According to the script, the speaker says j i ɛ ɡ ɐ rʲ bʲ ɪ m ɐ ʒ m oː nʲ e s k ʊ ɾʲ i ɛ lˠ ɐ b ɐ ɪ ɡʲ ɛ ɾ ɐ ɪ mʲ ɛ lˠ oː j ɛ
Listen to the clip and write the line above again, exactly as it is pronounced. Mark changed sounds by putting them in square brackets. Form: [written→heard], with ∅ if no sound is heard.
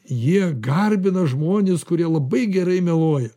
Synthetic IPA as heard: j i ɛ ɡ ɐ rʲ bʲ ɪ [m→n] ɐ ʒ m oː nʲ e s k ʊ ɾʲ i ɛ lˠ ɐ b ɐ ɪ ɡʲ ɛ ɾ ɐ ɪ mʲ ɛ lˠ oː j ɛ